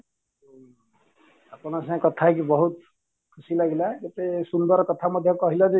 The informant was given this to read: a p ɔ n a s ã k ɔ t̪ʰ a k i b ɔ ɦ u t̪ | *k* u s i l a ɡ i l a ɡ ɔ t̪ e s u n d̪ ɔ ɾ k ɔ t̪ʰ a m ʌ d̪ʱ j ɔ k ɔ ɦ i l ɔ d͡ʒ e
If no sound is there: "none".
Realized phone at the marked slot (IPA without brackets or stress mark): kʰ